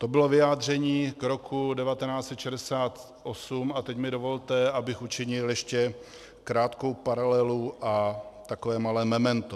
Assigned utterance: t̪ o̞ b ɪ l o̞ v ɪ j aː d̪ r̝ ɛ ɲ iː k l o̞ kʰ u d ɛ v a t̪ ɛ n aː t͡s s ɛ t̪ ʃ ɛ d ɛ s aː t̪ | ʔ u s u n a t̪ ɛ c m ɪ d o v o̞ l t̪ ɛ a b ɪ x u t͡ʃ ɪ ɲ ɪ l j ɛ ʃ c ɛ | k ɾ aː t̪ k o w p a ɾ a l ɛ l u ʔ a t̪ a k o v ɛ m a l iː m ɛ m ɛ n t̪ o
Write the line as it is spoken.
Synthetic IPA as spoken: t̪ o̞ b ɪ l o̞ v ɪ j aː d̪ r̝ ɛ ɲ iː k ɾ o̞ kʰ u d ɛ v a t̪ ɛ n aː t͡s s ɛ t̪ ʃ ɛ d ɛ s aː t̪ | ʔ o s u m a t̪ ɛ c m ɪ d o v o̞ l t̪ ɛ a b ɪ x u t͡ʃ ɪ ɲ ɪ l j ɛ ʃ c ɛ | k ɾ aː t̪ k o w p a ɾ a l ɛ l u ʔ a t̪ a k o v ɛː m a l ɛː m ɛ m ɛ n t̪ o